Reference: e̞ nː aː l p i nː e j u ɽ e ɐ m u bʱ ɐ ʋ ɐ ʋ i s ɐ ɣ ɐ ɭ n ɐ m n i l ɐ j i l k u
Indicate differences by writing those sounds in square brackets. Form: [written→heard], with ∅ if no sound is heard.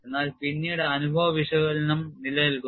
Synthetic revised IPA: e̞ nː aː l p i nː [e→i] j u ɽ e ɐ [m→n] u bʱ ɐ ʋ ɐ ʋ i [s→ʂ] ɐ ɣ ɐ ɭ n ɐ m n i l ɐ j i l k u